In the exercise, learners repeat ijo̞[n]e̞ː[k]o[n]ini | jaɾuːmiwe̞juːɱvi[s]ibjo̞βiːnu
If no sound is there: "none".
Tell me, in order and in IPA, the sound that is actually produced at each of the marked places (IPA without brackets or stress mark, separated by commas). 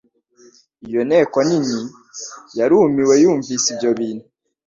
n, k, n, s